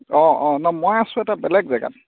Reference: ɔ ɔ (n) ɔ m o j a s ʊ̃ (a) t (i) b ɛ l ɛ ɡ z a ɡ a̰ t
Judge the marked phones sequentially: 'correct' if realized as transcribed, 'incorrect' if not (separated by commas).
correct, incorrect, incorrect